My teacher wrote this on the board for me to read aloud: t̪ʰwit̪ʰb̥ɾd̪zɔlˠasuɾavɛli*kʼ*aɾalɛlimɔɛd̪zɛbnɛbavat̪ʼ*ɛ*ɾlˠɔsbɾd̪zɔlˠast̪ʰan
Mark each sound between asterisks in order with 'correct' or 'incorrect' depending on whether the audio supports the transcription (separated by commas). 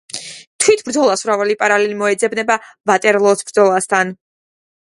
incorrect, correct